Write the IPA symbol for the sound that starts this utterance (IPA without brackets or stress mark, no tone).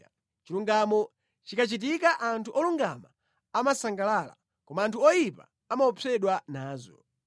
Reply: t͡ʃ